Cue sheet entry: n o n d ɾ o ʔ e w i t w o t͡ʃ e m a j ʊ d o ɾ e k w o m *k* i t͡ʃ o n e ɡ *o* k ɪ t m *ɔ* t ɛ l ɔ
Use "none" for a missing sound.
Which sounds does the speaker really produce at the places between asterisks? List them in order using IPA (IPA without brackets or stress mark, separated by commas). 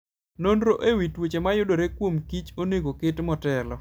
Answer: k, o, ɔ